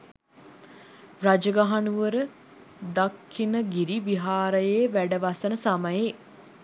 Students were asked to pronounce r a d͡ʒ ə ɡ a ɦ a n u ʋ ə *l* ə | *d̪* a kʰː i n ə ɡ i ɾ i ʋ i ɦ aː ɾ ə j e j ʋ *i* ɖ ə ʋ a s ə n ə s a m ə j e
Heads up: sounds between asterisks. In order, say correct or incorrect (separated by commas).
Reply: incorrect, correct, incorrect